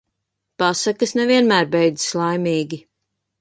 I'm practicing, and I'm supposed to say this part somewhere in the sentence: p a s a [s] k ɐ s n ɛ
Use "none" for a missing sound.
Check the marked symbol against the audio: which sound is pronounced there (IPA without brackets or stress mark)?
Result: none